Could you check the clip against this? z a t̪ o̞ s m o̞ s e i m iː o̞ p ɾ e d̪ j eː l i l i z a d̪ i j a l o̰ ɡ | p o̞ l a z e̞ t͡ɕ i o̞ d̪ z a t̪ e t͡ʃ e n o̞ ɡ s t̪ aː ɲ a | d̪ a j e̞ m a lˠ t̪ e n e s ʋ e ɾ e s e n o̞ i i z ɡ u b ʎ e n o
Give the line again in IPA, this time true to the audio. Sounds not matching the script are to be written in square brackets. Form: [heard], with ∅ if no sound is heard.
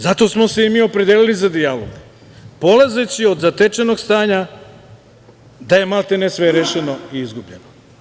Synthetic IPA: z a t̪ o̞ s m o̞ s e i m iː o̞ p ɾ e d̪ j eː l i l i z a d̪ i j a l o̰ ɡ | p o̞ l a z e̞ t͡ɕ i o̞ d̪ z a t̪ e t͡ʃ e n o̞ ɡ s t̪ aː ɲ a | d̪ a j e̞ m a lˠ t̪ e n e s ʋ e ɾ e [ʃ] e n o̞ i i z ɡ u b ʎ e n o